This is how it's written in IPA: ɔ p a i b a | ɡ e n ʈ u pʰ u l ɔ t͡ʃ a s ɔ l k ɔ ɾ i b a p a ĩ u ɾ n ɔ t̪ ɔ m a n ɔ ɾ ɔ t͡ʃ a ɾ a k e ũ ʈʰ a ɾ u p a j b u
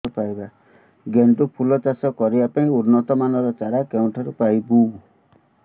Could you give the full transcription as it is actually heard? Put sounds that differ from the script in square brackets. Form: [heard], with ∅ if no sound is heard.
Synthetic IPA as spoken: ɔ p a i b a | ɡ e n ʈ u pʰ u l ɔ t͡ʃ a s ɔ [∅] k ɔ ɾ i b a p a ĩ u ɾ n ɔ t̪ ɔ m a n ɔ ɾ ɔ t͡ʃ a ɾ a k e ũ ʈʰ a ɾ u p a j b u